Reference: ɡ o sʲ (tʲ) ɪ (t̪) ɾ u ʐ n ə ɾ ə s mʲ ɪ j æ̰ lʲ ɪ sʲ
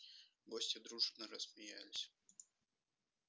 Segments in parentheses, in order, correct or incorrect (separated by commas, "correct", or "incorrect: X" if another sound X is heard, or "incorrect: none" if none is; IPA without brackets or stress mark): correct, incorrect: d̪